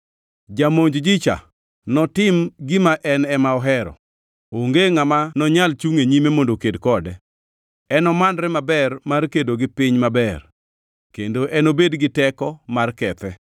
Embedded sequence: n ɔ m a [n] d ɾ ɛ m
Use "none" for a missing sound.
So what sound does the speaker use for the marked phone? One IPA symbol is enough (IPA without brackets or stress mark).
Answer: n